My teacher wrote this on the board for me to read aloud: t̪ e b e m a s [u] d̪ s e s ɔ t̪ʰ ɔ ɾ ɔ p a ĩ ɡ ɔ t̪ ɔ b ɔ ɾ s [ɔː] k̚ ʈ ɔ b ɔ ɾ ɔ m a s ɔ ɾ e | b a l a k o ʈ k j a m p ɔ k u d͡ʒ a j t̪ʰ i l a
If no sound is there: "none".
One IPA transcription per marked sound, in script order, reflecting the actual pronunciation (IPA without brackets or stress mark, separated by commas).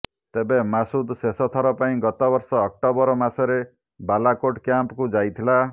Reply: u, ɔː